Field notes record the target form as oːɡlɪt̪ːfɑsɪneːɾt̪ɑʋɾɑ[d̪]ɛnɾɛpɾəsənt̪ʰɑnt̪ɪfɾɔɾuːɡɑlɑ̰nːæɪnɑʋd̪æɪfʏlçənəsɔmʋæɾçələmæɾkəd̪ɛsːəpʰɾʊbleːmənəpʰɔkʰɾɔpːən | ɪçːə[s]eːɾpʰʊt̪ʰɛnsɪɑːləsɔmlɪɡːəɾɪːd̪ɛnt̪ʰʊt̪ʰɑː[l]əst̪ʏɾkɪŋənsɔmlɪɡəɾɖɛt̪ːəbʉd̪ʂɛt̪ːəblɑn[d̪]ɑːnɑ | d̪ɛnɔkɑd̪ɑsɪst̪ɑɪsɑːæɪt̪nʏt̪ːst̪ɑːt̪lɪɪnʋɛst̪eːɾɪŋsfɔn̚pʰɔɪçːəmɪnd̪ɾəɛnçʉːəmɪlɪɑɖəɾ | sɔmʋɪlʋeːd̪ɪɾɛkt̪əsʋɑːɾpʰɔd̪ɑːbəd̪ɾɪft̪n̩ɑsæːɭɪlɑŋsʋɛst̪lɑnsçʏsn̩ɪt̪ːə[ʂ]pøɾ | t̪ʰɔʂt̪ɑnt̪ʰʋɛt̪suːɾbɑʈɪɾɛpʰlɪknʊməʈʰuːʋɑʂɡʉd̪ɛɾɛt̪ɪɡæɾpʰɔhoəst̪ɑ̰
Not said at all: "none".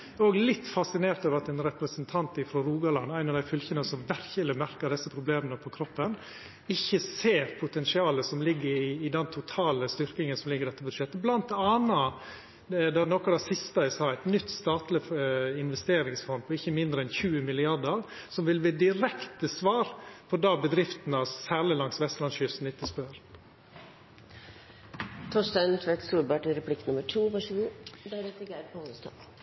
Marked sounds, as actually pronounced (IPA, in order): t̪, s, l, t̪, s

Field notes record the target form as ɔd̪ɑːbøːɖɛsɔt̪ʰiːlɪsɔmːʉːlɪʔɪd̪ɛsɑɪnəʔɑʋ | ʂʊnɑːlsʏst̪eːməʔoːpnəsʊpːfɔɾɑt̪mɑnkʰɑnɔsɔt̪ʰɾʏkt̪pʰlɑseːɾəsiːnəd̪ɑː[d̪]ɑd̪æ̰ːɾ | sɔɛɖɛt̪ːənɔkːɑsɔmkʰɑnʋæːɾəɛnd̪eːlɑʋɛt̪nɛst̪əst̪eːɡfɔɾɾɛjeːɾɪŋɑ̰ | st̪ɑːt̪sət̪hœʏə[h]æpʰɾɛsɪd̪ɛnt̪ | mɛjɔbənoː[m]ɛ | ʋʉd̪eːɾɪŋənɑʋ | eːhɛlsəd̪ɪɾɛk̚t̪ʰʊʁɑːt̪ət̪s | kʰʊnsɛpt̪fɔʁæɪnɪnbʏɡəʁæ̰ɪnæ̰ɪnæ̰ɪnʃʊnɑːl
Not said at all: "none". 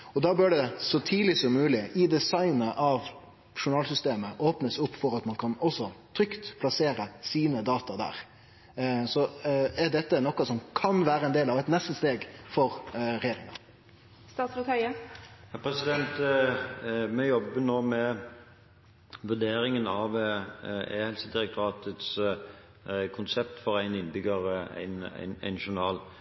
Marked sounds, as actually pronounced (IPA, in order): t̪, h, m

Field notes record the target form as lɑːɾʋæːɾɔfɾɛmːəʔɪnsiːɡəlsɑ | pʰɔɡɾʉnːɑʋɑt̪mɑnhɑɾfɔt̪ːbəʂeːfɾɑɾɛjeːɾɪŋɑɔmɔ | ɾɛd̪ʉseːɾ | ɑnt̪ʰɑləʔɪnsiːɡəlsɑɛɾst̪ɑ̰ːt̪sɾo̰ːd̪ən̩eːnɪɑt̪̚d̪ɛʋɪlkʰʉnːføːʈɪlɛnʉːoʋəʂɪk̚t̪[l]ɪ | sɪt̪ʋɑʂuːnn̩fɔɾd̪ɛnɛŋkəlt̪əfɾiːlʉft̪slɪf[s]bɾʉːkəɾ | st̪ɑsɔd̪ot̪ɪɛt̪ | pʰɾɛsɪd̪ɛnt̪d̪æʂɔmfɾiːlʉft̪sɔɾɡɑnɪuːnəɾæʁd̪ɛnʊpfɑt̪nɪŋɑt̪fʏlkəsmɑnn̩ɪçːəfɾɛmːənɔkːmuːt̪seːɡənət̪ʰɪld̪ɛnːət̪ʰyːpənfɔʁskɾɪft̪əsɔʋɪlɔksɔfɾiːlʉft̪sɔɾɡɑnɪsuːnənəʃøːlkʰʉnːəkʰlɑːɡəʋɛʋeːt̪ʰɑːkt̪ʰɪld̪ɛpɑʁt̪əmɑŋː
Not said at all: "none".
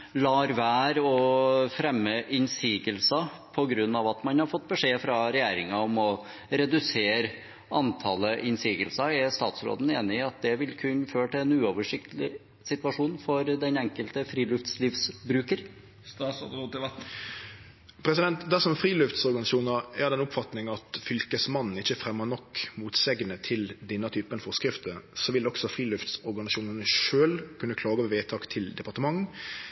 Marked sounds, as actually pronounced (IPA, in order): l, s

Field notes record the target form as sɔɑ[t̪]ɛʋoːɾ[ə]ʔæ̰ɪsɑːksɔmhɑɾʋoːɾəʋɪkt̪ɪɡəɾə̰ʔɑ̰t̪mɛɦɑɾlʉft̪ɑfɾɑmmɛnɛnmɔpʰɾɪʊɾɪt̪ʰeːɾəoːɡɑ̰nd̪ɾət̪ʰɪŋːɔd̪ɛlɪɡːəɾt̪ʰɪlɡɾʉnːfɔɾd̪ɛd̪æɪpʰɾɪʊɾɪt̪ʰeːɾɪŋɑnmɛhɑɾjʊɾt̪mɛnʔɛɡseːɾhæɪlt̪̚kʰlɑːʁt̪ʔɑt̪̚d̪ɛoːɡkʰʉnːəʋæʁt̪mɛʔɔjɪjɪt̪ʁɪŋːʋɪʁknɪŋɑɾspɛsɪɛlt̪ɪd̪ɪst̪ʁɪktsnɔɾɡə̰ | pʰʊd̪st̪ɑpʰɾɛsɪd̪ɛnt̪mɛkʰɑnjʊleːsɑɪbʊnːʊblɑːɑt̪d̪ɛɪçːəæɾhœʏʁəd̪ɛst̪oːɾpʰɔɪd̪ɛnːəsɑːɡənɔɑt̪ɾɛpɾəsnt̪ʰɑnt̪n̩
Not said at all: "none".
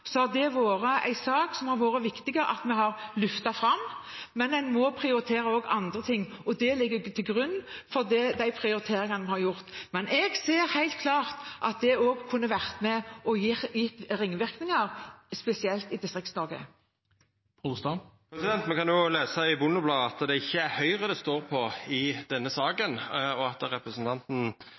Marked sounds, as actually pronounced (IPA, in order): d̪, ə

